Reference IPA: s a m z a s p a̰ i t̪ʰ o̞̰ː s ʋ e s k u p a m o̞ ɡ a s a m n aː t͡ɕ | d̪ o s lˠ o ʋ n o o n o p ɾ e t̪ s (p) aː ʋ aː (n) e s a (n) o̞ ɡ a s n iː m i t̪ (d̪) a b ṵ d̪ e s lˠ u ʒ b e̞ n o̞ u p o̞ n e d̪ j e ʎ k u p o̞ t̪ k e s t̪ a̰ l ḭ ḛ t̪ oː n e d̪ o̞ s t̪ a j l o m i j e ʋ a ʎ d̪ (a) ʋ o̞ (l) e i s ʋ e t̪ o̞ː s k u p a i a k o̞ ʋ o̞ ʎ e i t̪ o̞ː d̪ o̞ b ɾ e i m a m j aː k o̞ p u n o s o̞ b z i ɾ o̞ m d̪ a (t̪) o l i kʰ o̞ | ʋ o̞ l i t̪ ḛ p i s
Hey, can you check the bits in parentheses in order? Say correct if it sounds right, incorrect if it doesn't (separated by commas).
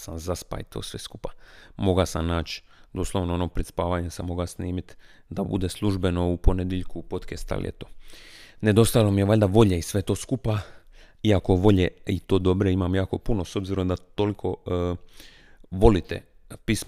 correct, incorrect, incorrect, correct, correct, incorrect, correct